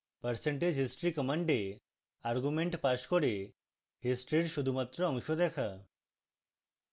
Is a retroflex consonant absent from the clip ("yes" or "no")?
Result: no